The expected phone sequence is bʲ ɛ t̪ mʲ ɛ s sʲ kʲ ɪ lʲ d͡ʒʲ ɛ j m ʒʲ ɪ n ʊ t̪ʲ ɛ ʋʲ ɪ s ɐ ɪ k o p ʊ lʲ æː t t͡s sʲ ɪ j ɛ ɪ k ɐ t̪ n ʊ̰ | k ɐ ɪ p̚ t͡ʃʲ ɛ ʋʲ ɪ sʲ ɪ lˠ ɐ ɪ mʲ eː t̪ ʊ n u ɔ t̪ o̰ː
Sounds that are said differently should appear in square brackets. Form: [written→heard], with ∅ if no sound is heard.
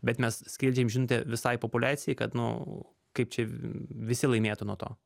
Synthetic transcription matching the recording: bʲ ɛ t̪ mʲ ɛ s sʲ kʲ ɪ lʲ d͡ʒʲ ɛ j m ʒʲ ɪ n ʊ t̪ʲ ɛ ʋʲ ɪ s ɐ ɪ [k→p] o p ʊ lʲ æː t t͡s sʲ ɪ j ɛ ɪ k ɐ t̪ n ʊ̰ | k ɐ ɪ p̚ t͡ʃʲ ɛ ʋʲ ɪ sʲ ɪ lˠ ɐ ɪ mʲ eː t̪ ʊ n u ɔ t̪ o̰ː